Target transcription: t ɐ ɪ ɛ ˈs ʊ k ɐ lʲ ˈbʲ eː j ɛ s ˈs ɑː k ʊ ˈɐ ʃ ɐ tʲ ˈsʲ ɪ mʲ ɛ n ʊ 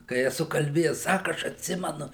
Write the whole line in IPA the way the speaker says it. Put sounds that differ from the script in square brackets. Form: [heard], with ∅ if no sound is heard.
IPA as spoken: [k] ɐ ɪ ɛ ˈs ʊ k ɐ lʲ ˈbʲ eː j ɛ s ˈs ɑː k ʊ ˈɐ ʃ ɐ tʲ ˈsʲ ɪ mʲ ɛ n ʊ